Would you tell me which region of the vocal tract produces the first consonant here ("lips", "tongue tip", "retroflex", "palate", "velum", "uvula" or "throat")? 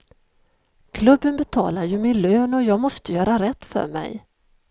velum